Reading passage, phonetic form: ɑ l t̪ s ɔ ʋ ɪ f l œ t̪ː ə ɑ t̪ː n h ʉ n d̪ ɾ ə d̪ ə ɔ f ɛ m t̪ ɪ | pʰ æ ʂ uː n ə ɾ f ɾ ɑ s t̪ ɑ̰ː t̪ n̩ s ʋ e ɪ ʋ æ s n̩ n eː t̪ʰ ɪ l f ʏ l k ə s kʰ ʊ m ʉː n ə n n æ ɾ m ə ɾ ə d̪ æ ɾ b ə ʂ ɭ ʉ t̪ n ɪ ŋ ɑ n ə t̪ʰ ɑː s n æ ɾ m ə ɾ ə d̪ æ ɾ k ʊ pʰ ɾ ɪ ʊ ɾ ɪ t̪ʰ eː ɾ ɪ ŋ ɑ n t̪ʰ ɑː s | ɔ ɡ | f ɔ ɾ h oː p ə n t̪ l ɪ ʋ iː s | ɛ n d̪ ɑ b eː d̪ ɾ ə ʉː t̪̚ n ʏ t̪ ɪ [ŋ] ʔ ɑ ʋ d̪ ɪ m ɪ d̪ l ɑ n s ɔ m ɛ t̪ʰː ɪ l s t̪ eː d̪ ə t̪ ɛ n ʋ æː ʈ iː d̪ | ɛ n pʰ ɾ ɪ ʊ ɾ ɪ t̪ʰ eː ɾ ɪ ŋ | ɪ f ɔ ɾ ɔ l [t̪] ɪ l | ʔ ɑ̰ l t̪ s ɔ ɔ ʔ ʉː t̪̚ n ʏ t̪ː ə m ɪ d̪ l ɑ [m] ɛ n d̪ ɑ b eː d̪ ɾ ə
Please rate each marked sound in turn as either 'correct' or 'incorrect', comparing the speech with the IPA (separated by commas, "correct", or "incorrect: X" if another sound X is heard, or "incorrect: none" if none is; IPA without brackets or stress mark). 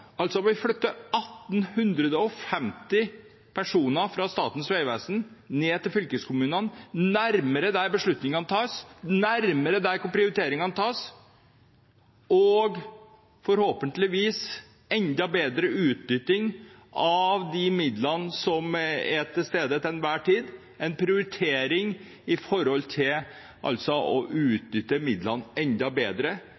correct, incorrect: t̪ʰ, incorrect: n